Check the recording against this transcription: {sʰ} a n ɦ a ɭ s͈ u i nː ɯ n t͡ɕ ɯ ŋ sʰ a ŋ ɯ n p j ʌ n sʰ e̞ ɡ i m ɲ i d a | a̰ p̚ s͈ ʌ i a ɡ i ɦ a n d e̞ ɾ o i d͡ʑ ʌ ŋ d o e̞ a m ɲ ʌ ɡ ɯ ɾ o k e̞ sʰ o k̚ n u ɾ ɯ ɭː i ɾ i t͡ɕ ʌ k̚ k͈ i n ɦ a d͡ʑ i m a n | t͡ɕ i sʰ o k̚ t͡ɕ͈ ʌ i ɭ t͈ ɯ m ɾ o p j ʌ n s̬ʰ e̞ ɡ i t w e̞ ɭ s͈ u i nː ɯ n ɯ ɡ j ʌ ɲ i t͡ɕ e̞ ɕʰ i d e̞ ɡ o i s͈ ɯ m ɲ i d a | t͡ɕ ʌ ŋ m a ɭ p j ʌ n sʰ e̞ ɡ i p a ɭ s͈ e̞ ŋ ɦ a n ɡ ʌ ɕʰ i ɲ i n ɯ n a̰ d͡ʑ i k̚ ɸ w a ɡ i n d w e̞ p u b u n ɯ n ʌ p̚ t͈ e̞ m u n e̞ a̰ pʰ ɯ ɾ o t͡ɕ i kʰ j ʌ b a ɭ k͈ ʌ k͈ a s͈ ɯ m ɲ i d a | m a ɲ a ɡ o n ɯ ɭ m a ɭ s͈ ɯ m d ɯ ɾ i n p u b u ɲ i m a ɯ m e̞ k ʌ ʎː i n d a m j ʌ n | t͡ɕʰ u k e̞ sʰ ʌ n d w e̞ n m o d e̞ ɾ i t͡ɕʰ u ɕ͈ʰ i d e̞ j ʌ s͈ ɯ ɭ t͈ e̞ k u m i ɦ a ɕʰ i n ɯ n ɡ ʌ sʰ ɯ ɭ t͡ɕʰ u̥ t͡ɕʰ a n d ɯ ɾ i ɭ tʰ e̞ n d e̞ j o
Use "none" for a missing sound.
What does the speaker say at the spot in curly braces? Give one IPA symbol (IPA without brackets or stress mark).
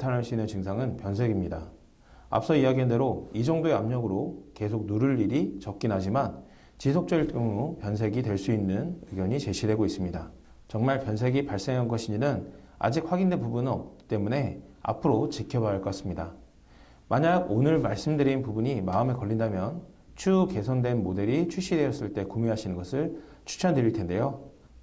tʰ